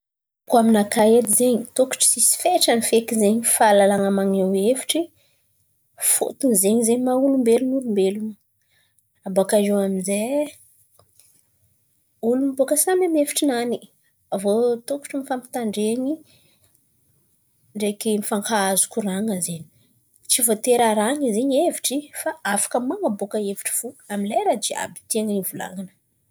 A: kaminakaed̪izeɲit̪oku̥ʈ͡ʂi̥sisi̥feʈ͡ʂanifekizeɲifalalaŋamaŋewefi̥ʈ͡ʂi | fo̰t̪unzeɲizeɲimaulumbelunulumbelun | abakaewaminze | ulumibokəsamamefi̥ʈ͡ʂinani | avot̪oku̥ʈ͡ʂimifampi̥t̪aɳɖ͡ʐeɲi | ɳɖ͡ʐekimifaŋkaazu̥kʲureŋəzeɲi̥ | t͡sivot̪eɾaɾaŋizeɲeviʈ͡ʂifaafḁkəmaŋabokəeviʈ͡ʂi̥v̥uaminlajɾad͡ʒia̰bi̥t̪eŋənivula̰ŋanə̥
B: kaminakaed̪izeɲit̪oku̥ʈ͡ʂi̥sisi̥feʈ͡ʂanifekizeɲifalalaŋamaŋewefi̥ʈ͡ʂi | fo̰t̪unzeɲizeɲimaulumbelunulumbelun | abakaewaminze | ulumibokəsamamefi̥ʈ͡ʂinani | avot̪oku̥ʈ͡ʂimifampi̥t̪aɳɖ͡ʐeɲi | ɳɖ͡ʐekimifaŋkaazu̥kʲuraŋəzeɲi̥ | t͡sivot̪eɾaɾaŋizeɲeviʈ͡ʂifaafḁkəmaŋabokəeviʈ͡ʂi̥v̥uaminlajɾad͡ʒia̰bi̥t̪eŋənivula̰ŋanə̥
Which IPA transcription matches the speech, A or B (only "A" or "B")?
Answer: B